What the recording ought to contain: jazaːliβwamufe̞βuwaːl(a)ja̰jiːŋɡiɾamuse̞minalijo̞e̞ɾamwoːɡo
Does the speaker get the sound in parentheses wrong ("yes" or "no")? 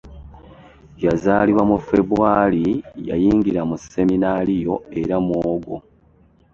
yes